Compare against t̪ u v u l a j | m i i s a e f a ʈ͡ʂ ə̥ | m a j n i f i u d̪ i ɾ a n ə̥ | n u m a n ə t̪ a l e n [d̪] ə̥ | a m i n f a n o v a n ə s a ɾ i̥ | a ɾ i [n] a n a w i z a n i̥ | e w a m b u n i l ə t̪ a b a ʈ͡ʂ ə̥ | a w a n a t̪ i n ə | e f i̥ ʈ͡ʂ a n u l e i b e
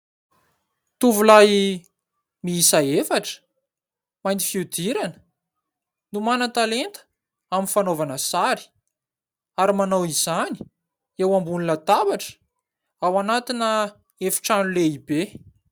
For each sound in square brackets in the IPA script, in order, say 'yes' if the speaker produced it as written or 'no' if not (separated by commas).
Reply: no, no